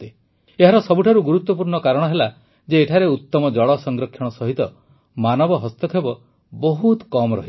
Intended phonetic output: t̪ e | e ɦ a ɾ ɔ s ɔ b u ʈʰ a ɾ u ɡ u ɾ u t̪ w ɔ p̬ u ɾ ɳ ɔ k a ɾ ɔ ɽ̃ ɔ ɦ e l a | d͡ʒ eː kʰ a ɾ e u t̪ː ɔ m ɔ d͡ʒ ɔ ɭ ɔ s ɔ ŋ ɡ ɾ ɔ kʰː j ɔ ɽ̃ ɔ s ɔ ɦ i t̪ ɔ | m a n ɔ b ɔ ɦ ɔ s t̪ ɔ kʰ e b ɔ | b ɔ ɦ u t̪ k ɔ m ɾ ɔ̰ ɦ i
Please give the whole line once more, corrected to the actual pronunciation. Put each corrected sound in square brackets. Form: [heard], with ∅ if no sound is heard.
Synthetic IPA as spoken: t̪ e | e ɦ a ɾ ɔ s ɔ b u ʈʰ a ɾ u ɡ u ɾ u t̪ w ɔ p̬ u ɾ ɳ ɔ k a ɾ ɔ ɽ̃ ɔ ɦ e l a | d͡ʒ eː [ʈʰ] a ɾ e u t̪ː ɔ m ɔ d͡ʒ ɔ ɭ ɔ s ɔ ŋ ɡ ɾ ɔ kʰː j ɔ ɽ̃ ɔ s ɔ ɦ i t̪ ɔ | m a n ɔ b ɔ ɦ ɔ s t̪ ɔ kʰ e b ɔ | b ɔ ɦ u t̪ k ɔ m ɾ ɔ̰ ɦ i

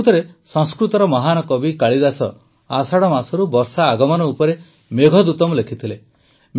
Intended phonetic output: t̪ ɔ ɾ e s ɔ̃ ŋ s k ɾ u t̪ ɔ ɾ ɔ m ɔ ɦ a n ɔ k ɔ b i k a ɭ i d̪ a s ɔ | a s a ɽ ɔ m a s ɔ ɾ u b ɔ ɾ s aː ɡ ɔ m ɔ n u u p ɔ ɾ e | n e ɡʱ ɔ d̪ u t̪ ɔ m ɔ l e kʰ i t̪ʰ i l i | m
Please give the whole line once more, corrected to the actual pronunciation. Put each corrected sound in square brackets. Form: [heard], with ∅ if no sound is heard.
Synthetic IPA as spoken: t̪ ɔ ɾ e s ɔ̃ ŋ s k ɾ u t̪ ɔ ɾ ɔ m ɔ ɦ a n ɔ k ɔ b i k a ɭ i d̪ a s ɔ | a s a ɽ ɔ m a s ɔ ɾ u b ɔ ɾ s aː ɡ ɔ m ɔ n [ɔ] u p ɔ ɾ e | [m] e ɡʱ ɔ d̪ u t̪ ɔ m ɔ l e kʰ i t̪ʰ i l [e] | m

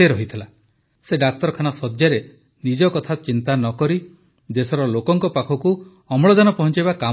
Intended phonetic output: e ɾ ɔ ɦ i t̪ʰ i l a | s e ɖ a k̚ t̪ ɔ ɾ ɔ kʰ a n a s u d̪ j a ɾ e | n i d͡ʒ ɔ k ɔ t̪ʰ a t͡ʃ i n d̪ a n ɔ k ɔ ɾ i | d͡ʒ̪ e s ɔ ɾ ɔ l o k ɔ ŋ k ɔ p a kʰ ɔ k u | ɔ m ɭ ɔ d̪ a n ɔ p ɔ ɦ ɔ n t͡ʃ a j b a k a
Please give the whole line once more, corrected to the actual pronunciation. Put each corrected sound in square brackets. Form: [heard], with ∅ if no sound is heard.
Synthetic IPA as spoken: e ɾ ɔ ɦ i t̪ʰ i l a | s e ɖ a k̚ t̪ ɔ ɾ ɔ kʰ a n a s [ɔ] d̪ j a ɾ e | n i d͡ʒ ɔ k ɔ t̪ʰ a t͡ʃ i n [t̪] a n ɔ k ɔ ɾ i | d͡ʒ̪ e s ɔ ɾ ɔ l o k ɔ ŋ k ɔ p a kʰ ɔ k u | ɔ m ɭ ɔ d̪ a n ɔ p ɔ ɦ ɔ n t͡ʃ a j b a k a

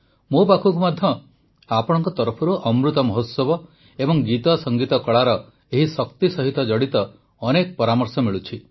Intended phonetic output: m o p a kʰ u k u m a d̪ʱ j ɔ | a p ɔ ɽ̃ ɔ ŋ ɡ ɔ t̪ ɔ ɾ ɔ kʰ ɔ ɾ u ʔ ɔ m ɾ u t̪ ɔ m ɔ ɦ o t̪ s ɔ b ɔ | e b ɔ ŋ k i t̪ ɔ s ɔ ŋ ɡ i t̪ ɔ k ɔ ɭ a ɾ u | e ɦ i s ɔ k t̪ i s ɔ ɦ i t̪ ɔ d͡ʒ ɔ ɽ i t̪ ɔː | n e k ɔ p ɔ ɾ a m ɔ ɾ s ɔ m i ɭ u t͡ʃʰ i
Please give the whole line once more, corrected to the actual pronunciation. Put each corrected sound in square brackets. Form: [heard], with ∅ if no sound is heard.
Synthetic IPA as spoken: m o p a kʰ u k u m a d̪ʱ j ɔ | a p ɔ ɽ̃ ɔ ŋ [k] ɔ t̪ ɔ ɾ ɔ [pʰ] ɔ ɾ u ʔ ɔ m ɾ u t̪ ɔ m ɔ ɦ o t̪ s ɔ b ɔ | e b ɔ ŋ [ɡ] i t̪ ɔ s ɔ ŋ ɡ i t̪ ɔ k ɔ ɭ a ɾ [ɔ] | e ɦ i s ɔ k t̪ i s ɔ ɦ i t̪ ɔ d͡ʒ ɔ ɽ i t̪ ɔː | n e k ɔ p ɔ ɾ a m ɔ ɾ s ɔ m i ɭ u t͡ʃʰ i

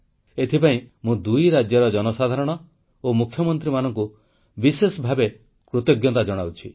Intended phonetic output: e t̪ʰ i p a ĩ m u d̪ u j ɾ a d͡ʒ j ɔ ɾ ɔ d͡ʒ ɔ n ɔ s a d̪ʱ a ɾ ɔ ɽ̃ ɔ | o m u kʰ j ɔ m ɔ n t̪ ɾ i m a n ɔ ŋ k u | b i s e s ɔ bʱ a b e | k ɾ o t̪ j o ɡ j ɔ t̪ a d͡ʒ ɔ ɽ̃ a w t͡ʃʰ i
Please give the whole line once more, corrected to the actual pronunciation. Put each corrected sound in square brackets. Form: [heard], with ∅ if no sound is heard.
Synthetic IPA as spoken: e t̪ʰ i p a ĩ m [ũ] d̪ u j ɾ a d͡ʒ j ɔ ɾ ɔ d͡ʒ ɔ n ɔ s a d̪ʱ a ɾ ɔ ɽ̃ ɔ | o m u kʰ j ɔ m ɔ n t̪ ɾ i m a n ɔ ŋ k u | b i s e s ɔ bʱ a b e | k ɾ o t̪ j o ɡ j ɔ t̪ a d͡ʒ ɔ ɽ̃ a w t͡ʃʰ i

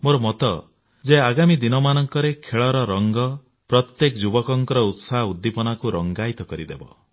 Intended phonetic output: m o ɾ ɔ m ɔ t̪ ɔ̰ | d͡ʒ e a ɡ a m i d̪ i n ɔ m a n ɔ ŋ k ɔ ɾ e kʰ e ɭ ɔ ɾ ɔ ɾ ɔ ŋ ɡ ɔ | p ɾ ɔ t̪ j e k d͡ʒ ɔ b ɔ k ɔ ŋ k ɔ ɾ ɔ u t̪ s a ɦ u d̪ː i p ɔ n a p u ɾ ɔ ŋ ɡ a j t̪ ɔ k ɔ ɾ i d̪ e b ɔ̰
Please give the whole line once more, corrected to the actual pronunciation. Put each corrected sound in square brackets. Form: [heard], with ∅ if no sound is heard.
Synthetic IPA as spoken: m o ɾ ɔ m ɔ t̪ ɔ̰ | d͡ʒ e a ɡ a m i d̪ i n ɔ m a n ɔ ŋ k ɔ ɾ e kʰ e ɭ ɔ ɾ ɔ ɾ ɔ ŋ ɡ ɔ | p ɾ ɔ t̪ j e k d͡ʒ [u] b ɔ k ɔ ŋ k ɔ ɾ ɔ u t̪ s a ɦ u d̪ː i p ɔ n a [k] u ɾ ɔ ŋ ɡ a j t̪ ɔ k ɔ ɾ i d̪ e b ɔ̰

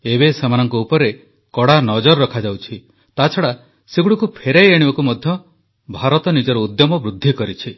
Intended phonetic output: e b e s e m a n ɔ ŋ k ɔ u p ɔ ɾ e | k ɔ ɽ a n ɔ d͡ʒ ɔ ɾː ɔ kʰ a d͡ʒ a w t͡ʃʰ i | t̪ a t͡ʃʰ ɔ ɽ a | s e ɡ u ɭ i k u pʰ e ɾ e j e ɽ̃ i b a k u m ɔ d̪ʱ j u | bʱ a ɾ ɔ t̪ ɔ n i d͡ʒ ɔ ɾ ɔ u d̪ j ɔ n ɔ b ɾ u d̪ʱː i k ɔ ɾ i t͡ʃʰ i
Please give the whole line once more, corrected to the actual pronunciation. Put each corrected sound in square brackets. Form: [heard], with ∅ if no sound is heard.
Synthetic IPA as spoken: e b e s e m a n ɔ ŋ k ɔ u p ɔ ɾ e | k ɔ ɽ a n ɔ d͡ʒ ɔ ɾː ɔ kʰ a d͡ʒ a w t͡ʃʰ i | t̪ a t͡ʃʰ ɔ ɽ a | s e ɡ u [ɽ] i k u pʰ e ɾ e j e ɽ̃ i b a k u m ɔ d̪ʱ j [ɔ] | bʱ a ɾ ɔ t̪ ɔ n i d͡ʒ ɔ ɾ ɔ u d̪ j ɔ [m] ɔ b ɾ u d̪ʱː i k ɔ ɾ i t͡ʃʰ i

